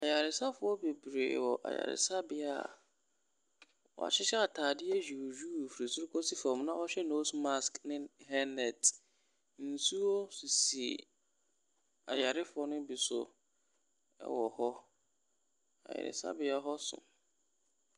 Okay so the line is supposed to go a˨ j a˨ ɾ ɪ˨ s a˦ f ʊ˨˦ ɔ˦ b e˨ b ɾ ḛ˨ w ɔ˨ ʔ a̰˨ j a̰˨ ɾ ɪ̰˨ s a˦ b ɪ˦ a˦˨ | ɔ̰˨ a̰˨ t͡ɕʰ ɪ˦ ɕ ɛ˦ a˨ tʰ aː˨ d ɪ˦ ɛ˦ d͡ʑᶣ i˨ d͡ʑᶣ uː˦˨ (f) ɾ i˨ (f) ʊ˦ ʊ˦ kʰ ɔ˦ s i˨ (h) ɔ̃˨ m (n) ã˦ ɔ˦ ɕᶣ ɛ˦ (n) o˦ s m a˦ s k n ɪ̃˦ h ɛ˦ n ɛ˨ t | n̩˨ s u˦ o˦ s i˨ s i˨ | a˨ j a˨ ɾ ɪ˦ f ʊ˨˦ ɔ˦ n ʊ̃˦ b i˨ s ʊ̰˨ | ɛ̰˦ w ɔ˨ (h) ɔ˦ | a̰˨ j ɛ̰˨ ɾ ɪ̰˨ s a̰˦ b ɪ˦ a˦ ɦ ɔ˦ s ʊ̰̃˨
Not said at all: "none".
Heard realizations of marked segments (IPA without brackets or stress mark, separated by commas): f, s, f, n, n, h